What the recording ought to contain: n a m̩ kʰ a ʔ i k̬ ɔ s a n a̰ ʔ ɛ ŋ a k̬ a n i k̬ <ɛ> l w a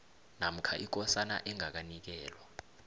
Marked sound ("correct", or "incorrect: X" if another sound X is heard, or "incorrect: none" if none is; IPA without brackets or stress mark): incorrect: ɛː